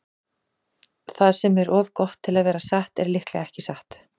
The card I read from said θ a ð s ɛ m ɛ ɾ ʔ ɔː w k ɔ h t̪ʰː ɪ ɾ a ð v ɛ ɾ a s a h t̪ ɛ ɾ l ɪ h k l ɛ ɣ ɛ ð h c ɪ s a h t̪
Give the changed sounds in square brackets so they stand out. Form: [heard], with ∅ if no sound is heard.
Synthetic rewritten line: θ a ð s ɛ m ɛ ɾ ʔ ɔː [v] k ɔ h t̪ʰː ɪ [l] a ð v [ɛː] ɾ a s a h t̪ ɛ ɾ l ɪ h k l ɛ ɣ ɛ [∅] h c ɪ s a h t̪